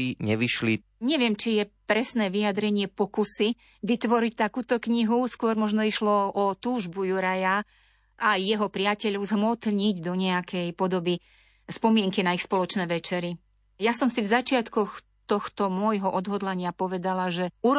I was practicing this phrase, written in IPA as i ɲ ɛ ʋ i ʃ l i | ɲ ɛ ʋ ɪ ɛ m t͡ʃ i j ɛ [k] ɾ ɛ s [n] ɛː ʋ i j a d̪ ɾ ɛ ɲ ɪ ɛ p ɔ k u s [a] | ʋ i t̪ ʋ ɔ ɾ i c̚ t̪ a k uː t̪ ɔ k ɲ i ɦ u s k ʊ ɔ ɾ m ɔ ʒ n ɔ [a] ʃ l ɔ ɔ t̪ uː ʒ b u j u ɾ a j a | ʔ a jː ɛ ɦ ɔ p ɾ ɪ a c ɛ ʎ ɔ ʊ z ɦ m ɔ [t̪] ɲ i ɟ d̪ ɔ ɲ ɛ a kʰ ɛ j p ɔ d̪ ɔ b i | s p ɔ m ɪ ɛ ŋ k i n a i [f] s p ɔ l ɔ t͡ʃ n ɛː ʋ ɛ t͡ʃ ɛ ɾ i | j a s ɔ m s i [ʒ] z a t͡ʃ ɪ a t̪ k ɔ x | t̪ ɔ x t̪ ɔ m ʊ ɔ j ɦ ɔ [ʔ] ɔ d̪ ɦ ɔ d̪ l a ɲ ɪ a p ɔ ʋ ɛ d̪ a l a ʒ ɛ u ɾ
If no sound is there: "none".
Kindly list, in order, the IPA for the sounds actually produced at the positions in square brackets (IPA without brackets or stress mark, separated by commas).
p, n, i, i, t̪, x, v, ʔ